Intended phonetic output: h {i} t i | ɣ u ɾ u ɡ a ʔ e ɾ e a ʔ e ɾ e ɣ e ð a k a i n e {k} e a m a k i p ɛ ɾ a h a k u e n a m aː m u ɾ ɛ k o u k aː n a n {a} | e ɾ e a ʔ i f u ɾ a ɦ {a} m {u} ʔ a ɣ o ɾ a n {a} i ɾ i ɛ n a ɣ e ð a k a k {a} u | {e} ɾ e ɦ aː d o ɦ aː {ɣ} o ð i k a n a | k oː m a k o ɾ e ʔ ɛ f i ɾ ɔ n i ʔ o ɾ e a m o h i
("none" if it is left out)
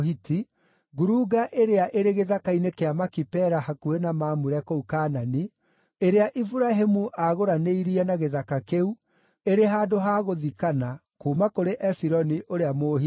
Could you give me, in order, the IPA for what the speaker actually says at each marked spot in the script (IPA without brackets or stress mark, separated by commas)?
i, k, i, e, u, e, e, e, ɣ